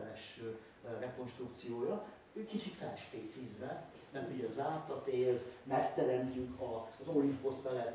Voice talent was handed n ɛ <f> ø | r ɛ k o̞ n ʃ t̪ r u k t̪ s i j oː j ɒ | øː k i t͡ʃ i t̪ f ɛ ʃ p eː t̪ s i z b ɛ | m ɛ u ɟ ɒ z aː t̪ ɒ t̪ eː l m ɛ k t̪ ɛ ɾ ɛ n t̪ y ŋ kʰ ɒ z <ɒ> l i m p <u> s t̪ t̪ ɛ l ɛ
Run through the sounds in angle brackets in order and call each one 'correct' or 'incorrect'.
incorrect: ʃ, incorrect: o, incorrect: o

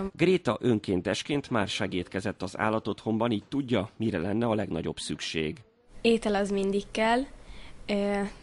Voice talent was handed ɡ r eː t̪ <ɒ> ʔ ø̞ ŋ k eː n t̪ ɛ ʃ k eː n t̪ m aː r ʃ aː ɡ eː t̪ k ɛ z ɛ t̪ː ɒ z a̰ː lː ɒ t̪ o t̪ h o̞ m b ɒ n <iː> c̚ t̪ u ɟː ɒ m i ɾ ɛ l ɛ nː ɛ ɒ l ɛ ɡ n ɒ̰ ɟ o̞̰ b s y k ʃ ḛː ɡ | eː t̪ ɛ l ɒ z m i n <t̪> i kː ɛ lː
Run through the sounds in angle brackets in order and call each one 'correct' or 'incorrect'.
correct, correct, incorrect: d̪

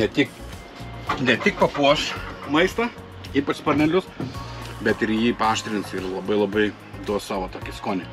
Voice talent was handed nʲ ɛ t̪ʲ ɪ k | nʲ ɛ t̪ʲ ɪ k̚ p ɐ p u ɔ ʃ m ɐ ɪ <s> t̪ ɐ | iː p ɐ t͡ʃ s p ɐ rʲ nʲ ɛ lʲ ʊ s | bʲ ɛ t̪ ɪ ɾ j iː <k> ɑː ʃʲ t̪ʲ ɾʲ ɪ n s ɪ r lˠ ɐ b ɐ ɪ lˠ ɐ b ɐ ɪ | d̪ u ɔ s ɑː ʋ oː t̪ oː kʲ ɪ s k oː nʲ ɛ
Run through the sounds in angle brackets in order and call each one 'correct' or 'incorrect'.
correct, incorrect: p

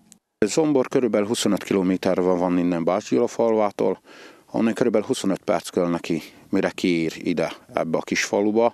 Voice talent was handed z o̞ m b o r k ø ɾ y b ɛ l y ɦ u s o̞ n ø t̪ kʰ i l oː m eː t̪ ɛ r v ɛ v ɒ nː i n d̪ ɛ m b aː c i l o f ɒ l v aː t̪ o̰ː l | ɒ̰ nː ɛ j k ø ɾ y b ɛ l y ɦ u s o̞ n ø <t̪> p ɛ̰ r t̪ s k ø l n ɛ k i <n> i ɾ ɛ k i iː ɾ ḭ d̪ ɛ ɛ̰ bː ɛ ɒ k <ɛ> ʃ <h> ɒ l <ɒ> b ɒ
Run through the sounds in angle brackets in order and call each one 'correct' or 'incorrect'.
correct, incorrect: m, incorrect: i, incorrect: f, incorrect: u

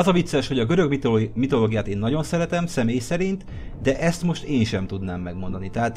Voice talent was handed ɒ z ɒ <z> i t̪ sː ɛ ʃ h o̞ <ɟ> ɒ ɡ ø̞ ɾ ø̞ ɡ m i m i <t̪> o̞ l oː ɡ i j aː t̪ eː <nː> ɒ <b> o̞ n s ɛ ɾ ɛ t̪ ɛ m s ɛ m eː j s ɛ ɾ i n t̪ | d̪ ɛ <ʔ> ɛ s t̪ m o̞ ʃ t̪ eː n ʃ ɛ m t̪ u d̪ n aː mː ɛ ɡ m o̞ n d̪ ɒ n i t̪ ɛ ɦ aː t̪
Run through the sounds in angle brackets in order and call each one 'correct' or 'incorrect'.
incorrect: v, correct, correct, correct, incorrect: ɟ, correct

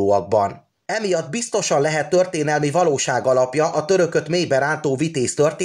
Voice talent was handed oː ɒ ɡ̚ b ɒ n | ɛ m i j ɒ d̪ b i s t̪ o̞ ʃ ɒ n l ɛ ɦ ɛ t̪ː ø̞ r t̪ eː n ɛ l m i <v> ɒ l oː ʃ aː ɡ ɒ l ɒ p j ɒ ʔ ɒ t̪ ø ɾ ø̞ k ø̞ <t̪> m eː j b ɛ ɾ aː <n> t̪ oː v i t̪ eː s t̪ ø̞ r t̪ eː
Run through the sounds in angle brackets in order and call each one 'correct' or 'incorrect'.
correct, correct, correct

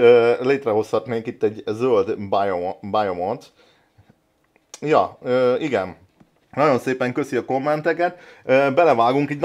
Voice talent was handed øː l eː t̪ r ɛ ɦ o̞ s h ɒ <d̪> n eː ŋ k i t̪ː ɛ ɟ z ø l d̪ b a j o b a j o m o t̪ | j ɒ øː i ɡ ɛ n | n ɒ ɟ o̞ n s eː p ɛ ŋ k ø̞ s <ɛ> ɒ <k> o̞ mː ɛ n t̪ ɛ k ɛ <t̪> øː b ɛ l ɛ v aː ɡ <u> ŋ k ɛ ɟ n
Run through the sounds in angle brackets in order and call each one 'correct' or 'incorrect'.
incorrect: t̪, incorrect: i, correct, correct, correct

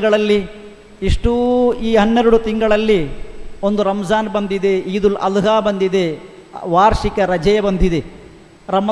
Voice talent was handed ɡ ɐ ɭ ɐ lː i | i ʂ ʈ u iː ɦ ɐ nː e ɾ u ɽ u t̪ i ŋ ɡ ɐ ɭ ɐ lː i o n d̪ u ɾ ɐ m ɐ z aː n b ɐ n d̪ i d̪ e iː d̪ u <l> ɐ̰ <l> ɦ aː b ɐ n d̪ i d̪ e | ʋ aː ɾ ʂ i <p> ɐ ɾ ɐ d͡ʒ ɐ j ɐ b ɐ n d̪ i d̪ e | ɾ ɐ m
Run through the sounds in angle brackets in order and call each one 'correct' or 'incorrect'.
correct, correct, incorrect: k

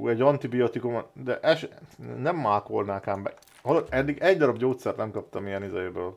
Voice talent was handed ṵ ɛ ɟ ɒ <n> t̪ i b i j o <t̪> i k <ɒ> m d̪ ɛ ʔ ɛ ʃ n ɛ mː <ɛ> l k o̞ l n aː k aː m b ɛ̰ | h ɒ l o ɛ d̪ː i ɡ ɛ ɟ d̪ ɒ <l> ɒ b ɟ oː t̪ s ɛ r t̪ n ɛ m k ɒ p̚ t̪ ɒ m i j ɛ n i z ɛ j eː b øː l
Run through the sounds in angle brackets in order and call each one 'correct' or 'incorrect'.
correct, correct, incorrect: u, incorrect: a, incorrect: ɾ

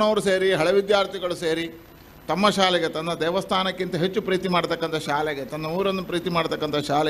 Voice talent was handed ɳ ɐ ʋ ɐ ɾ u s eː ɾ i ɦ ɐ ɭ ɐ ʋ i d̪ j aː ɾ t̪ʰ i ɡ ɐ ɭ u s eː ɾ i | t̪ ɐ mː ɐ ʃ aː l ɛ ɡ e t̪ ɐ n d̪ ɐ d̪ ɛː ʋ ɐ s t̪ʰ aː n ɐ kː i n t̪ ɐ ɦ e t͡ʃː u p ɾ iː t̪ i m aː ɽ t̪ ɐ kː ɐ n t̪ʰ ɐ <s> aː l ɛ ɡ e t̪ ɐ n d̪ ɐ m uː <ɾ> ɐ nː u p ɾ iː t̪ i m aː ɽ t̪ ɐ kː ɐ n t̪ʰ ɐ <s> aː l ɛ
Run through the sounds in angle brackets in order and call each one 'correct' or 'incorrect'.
incorrect: ʃ, correct, incorrect: ʃ

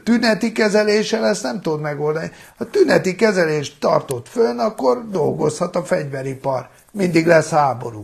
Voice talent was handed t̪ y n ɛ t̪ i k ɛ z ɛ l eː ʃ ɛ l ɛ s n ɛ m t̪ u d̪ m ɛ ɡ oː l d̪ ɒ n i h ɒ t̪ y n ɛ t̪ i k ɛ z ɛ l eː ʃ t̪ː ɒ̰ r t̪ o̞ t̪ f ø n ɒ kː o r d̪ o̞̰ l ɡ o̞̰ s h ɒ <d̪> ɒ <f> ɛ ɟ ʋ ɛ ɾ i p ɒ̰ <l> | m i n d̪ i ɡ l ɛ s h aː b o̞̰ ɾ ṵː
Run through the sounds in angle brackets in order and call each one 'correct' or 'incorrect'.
incorrect: t̪, correct, incorrect: r

